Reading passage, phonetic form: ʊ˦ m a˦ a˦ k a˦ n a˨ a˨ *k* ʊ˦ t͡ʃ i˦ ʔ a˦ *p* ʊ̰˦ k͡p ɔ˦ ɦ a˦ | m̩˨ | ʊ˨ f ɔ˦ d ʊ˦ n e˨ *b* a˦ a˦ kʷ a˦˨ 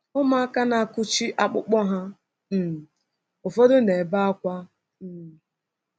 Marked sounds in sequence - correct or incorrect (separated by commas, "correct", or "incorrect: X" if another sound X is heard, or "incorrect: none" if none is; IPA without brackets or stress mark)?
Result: correct, incorrect: k͡p, correct